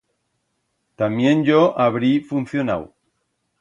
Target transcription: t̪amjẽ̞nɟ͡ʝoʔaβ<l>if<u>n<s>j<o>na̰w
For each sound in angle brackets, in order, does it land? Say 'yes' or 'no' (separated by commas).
no, yes, no, yes